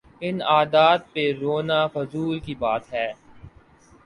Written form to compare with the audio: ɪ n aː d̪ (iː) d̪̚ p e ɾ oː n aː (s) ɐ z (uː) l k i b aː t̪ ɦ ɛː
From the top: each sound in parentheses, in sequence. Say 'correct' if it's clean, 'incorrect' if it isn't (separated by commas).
incorrect, incorrect, correct